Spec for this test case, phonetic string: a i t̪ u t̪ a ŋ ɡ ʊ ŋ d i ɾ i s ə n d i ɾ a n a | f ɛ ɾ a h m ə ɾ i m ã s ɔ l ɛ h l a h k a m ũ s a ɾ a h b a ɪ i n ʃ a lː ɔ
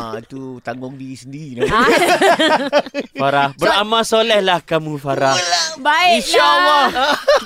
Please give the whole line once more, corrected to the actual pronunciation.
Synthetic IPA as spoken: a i t̪ u t̪ a ŋ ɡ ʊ ŋ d i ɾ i s ə n d i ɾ i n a | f a ɾ a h b ə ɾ a m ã s o l ɛ h l a h k a m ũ f a ɾ a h b a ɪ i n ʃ a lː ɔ